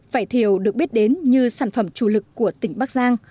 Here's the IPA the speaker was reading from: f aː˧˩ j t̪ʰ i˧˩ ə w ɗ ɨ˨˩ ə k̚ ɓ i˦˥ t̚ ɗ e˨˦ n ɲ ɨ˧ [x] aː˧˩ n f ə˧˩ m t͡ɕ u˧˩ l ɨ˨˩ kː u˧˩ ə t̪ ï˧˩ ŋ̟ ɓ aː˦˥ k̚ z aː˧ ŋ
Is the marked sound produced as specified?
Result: no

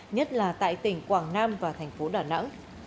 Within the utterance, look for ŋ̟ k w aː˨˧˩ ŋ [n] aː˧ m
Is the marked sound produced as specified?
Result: yes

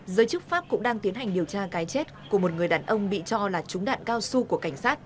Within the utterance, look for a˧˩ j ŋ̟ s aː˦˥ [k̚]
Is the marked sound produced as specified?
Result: no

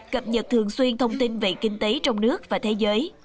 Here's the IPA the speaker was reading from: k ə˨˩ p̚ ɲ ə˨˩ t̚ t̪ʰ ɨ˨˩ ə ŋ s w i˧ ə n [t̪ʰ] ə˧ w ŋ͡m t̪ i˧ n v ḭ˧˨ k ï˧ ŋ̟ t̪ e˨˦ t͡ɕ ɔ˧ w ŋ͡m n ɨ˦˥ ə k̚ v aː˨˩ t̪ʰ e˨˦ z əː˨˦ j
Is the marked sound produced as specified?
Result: yes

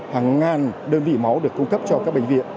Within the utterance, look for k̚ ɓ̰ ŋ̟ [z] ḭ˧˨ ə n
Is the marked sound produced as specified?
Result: no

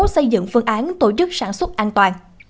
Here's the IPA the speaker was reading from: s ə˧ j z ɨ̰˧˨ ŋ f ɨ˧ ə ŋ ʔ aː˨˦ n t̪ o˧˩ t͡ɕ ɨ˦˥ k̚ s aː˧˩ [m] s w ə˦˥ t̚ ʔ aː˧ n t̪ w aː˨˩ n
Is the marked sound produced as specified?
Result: no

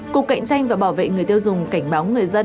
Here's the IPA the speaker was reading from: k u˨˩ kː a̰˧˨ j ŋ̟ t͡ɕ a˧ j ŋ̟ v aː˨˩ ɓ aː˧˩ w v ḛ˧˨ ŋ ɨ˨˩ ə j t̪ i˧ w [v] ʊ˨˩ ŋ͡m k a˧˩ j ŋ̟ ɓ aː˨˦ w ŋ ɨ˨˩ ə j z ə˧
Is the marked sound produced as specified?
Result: no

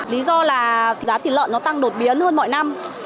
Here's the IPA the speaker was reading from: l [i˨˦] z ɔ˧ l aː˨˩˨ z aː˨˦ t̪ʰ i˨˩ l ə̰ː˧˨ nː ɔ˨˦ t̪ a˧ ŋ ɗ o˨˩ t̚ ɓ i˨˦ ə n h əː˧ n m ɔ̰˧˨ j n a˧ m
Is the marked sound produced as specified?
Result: yes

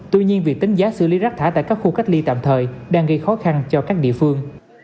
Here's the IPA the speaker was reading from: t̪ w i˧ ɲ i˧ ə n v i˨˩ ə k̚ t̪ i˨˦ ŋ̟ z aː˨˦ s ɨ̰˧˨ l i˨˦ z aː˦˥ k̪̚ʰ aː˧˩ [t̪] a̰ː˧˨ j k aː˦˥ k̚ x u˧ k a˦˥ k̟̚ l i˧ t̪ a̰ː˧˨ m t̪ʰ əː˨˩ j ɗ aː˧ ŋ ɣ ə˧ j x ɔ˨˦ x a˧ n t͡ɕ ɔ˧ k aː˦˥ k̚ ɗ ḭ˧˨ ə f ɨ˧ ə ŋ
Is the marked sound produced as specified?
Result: yes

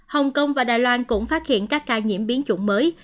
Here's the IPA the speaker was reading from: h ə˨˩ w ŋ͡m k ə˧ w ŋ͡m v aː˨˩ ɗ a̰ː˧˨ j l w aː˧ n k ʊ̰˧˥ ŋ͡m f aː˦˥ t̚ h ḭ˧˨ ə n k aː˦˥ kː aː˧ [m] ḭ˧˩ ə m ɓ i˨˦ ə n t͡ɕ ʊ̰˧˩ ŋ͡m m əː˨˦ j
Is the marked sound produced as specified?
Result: no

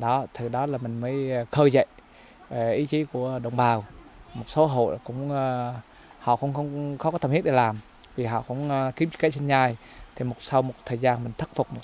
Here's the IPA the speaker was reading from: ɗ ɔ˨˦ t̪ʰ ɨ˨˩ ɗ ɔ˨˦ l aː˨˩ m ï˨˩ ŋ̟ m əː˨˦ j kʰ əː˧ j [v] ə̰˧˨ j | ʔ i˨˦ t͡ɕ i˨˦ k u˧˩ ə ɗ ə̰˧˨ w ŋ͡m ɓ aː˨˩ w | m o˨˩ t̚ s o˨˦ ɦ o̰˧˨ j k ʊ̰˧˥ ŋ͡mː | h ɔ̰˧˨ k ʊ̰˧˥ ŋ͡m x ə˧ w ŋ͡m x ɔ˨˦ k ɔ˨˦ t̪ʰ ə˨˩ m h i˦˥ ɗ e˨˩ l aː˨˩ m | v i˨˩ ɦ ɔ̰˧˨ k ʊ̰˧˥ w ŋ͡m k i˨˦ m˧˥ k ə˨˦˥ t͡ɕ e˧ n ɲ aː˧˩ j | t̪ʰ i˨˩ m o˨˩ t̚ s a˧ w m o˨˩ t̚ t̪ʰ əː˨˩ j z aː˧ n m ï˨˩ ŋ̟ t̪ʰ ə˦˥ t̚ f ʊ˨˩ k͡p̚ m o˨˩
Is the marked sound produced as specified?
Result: no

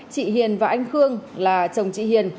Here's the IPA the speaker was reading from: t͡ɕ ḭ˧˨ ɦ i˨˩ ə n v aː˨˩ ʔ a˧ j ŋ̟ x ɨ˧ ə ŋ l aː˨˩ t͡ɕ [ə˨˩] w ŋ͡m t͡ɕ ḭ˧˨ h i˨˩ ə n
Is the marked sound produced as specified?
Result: yes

